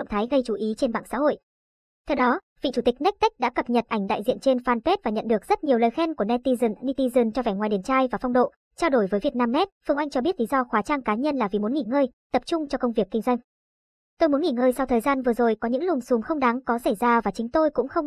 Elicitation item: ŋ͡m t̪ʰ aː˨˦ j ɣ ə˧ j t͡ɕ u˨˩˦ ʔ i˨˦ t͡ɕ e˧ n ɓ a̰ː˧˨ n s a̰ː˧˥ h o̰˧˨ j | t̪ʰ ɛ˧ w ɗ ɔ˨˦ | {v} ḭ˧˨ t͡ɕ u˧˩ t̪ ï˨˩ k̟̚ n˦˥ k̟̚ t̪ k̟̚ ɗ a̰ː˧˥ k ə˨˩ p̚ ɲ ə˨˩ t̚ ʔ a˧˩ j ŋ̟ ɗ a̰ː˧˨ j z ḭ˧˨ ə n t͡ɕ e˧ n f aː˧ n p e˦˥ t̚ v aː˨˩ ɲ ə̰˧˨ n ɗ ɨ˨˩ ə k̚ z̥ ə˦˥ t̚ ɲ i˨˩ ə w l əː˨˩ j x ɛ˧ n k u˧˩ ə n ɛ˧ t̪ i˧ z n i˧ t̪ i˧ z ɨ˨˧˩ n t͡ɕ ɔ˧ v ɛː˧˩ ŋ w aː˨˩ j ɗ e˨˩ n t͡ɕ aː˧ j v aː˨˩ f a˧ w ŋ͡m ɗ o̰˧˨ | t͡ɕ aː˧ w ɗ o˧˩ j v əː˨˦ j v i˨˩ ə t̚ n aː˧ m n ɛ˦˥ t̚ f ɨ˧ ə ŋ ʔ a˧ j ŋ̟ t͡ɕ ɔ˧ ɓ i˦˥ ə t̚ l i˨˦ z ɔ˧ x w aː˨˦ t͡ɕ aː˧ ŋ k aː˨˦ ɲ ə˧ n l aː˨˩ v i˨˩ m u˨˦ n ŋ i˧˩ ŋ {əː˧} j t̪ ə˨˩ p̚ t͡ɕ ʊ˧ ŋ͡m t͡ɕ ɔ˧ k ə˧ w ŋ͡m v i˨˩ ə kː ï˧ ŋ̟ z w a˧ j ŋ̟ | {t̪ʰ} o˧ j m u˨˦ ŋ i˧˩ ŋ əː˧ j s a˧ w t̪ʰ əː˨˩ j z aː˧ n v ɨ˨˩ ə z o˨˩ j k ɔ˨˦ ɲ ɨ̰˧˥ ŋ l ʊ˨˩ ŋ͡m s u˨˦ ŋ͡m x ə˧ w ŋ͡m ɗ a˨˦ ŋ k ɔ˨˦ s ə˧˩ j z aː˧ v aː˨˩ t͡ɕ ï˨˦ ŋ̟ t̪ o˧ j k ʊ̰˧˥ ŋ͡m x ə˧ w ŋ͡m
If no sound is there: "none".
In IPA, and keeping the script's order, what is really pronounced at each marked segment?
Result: v, əː˧, t̪

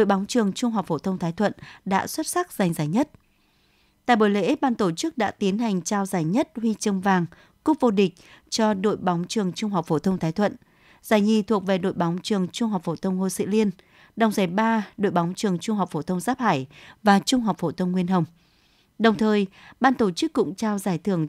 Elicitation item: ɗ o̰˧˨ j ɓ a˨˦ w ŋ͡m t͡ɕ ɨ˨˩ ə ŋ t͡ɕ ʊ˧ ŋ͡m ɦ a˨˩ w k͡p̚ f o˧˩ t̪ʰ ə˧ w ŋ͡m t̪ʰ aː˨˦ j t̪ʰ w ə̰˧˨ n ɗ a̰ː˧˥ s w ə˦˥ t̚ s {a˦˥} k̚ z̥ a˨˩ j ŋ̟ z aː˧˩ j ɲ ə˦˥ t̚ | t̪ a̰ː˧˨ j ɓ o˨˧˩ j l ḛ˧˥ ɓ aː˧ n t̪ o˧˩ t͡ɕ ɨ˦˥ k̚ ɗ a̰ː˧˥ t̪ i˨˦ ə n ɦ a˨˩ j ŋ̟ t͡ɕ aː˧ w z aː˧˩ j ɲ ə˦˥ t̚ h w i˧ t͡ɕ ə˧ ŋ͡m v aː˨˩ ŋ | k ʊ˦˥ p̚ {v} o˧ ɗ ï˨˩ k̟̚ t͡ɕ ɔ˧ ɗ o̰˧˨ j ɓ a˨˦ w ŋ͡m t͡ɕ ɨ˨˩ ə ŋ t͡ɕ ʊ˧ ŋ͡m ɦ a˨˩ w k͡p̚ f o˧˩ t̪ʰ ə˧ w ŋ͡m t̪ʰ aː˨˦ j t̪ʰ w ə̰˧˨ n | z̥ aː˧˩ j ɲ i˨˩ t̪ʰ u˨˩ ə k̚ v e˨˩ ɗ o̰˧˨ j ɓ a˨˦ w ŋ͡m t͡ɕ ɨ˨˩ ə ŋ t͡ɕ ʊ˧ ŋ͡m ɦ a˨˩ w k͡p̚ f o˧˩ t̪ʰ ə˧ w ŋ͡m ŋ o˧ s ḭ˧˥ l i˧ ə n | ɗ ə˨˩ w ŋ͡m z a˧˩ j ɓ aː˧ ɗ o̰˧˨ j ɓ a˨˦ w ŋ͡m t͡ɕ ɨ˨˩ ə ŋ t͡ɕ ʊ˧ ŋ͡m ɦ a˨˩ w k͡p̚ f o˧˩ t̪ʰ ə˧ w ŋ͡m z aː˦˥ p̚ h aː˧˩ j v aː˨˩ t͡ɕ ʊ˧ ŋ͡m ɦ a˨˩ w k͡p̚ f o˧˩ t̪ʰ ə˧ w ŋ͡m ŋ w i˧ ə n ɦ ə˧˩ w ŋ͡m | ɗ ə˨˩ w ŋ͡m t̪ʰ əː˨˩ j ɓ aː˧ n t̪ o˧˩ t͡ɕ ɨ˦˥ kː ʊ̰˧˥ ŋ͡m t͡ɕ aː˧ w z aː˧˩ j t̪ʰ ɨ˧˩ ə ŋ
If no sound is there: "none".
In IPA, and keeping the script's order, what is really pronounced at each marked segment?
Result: a˦˥, v

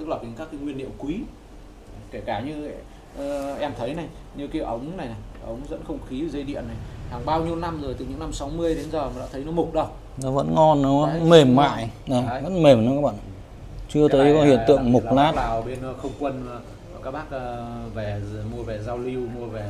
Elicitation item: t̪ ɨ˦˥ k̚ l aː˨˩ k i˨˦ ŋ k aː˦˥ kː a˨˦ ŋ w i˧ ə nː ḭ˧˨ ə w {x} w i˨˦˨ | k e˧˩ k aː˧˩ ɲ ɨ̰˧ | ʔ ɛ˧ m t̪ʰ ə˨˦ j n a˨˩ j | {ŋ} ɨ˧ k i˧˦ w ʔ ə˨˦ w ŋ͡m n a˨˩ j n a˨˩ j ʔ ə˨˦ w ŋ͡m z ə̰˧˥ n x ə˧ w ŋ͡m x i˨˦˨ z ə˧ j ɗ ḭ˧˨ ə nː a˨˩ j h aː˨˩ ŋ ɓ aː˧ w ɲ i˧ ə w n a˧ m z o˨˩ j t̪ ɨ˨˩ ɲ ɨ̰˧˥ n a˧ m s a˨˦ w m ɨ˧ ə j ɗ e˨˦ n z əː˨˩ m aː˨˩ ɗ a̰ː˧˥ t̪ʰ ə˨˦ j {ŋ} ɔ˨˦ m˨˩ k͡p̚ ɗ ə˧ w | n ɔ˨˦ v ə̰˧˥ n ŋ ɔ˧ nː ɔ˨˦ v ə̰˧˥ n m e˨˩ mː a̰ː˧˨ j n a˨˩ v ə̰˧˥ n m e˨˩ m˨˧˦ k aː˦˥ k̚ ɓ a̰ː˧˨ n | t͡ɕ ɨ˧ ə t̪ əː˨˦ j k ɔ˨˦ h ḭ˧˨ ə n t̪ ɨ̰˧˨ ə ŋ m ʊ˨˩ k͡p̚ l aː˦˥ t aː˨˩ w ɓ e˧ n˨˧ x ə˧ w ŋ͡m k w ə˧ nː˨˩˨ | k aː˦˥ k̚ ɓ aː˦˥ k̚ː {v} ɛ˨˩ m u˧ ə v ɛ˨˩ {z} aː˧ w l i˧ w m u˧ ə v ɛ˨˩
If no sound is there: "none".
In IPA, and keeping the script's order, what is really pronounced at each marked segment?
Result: k, ɲ, n, v, z

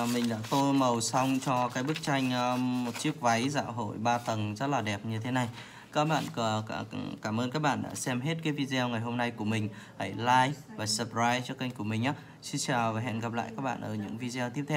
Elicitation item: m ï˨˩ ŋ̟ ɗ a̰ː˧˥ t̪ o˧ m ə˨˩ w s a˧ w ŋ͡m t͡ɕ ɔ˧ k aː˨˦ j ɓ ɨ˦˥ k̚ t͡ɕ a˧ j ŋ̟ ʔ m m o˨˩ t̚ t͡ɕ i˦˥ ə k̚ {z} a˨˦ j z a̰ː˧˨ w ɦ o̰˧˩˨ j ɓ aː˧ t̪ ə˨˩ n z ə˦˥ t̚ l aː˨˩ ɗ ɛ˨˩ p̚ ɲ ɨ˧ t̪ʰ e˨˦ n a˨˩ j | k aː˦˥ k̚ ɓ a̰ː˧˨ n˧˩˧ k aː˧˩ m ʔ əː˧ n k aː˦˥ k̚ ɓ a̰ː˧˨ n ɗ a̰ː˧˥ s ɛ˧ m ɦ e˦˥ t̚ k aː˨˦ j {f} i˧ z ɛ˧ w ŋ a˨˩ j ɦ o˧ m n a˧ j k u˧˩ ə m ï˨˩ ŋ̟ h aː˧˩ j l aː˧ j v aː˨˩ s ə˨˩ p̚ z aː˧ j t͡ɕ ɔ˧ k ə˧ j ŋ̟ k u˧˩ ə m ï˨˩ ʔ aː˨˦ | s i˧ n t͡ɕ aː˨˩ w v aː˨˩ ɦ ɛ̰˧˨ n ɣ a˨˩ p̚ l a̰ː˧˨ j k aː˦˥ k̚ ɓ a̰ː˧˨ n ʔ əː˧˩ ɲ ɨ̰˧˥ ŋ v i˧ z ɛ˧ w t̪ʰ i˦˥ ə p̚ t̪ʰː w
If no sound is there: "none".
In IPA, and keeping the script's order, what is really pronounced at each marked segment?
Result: v, v

